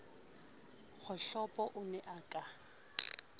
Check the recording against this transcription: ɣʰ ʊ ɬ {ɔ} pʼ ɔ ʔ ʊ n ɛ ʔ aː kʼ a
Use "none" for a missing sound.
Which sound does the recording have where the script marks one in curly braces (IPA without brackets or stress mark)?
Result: ɔ